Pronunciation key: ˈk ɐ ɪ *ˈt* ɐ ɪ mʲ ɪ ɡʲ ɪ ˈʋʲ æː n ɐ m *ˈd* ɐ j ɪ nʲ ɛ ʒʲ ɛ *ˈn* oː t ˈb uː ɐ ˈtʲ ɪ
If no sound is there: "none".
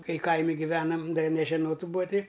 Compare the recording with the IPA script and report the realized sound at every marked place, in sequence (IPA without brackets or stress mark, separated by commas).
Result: k, d, n